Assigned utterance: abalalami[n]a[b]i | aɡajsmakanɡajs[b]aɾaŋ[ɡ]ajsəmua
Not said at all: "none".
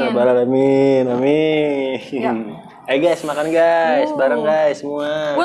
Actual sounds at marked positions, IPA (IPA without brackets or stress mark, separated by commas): n, m, b, ɡ